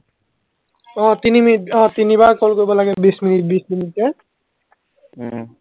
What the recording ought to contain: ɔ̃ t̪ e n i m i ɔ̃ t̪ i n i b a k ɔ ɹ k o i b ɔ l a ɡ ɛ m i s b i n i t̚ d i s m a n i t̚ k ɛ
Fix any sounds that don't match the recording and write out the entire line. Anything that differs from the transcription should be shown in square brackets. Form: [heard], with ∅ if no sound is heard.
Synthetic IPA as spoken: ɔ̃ t̪ [i] n i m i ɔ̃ t̪ i n i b a k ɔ [l] k o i b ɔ l a ɡ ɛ [b] i s [m] i n i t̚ [b] i s m [i] n i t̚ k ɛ